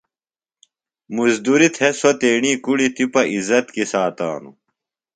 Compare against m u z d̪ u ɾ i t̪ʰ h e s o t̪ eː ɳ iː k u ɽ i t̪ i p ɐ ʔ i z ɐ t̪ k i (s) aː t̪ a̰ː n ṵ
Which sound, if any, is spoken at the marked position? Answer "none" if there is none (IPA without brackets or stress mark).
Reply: s